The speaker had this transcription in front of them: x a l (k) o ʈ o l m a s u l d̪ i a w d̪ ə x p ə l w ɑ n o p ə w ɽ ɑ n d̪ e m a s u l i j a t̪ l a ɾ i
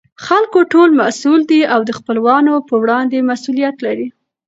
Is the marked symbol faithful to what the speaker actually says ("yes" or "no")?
yes